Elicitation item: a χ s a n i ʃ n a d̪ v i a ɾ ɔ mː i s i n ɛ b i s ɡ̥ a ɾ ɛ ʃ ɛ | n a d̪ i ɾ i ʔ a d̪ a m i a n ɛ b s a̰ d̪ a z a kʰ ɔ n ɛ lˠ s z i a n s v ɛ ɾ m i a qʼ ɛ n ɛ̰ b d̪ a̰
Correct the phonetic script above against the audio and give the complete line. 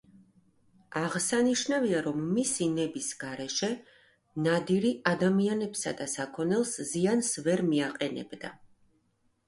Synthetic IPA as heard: a ʁ s a n i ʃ n a v i a ɾ ɔ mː i s i n ɛ b i s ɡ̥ a ɾ ɛ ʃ ɛ | n a d̪ i ɾ i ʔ a d̪ a m i a n ɛ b s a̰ d̪ a s a kʰ ɔ n ɛ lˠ s z i a n s v ɛ ɾ m i a qʼ ɛ n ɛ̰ b d̪ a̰